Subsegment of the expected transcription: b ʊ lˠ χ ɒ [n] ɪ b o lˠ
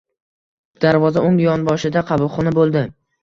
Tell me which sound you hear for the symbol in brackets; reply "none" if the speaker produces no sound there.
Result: n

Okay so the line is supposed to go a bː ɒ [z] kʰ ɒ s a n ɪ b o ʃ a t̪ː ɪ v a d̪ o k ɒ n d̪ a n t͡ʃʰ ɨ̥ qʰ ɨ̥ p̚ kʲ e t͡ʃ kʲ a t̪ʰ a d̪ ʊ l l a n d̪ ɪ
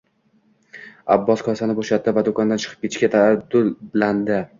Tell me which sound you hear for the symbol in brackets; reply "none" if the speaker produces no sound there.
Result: s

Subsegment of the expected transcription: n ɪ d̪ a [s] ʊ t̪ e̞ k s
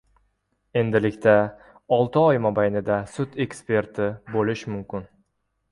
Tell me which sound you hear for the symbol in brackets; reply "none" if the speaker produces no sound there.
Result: s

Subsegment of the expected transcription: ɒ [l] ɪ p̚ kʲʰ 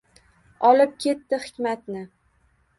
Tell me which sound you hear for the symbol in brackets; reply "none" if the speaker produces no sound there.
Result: l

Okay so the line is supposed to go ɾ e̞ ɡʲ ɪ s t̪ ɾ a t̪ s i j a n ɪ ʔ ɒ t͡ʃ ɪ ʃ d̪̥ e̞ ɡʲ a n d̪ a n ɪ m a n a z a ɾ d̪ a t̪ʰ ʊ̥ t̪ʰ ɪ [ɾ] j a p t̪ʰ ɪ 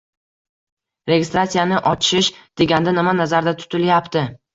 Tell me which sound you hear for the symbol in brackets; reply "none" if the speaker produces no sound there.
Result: l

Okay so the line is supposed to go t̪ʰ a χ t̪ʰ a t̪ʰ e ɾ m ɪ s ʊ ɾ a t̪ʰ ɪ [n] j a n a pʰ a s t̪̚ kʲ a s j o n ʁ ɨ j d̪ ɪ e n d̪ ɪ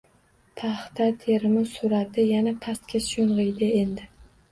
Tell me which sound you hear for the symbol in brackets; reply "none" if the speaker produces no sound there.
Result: none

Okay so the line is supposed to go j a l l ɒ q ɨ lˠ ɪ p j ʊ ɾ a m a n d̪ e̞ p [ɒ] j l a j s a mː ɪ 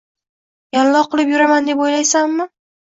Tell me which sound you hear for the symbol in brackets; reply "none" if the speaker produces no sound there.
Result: o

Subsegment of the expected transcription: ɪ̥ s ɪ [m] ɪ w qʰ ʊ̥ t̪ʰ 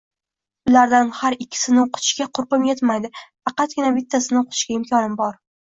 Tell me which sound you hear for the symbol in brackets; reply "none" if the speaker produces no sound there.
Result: n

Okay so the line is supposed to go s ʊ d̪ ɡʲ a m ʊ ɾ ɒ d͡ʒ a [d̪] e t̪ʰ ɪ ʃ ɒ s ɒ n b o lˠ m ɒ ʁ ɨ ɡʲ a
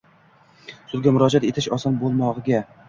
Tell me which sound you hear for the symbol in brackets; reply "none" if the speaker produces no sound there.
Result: t̪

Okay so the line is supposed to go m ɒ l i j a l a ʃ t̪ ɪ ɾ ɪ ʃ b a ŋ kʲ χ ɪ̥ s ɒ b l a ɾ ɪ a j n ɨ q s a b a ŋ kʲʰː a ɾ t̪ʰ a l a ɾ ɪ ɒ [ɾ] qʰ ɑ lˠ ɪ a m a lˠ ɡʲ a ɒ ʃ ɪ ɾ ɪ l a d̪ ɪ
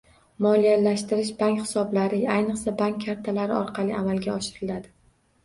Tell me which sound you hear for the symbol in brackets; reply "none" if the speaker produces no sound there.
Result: ɾ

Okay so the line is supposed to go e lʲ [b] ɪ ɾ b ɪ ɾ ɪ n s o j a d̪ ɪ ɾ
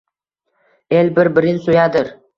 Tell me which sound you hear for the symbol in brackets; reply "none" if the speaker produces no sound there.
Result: b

